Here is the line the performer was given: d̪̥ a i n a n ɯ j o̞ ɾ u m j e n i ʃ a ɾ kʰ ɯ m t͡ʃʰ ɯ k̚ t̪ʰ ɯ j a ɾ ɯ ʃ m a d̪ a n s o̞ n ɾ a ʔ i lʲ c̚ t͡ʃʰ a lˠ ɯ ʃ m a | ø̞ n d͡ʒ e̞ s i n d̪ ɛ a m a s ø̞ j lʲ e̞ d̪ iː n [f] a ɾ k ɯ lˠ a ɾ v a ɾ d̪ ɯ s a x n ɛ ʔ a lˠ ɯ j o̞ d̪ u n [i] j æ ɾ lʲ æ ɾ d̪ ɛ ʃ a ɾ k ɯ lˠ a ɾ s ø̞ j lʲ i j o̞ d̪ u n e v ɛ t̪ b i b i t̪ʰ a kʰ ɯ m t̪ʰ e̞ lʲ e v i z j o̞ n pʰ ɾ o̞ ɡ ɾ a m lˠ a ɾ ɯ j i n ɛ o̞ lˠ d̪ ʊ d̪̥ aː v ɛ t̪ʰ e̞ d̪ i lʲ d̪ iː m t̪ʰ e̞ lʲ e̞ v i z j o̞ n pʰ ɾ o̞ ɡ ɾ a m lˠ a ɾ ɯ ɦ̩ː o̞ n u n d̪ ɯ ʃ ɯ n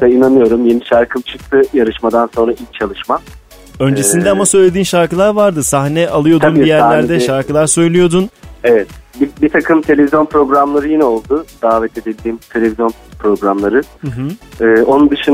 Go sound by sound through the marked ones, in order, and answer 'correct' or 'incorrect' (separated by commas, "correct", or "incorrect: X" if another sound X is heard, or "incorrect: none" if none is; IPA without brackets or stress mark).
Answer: incorrect: ʃ, correct